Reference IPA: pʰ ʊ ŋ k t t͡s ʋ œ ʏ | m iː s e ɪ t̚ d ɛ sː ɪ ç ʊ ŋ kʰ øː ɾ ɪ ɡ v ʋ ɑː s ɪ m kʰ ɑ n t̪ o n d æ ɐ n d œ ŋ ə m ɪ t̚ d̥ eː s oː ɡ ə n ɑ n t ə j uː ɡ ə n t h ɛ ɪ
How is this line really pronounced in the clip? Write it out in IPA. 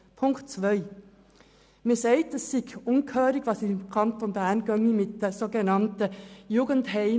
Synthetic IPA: pʰ ʊ ŋ k t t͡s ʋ œ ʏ | m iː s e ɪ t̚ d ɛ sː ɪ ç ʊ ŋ kʰ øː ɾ ɪ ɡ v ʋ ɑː s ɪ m kʰ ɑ n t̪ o n b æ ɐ n ɡ œ ŋ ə m ɪ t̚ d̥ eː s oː ɡ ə n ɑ n t ə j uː ɡ ə n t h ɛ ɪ